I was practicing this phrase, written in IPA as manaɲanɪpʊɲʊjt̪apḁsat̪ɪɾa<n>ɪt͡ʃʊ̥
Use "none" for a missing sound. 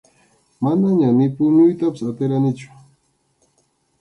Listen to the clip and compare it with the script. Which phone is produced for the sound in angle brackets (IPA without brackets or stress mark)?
n